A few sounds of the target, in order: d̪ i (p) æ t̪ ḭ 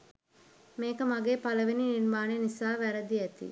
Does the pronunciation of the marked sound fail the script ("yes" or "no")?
yes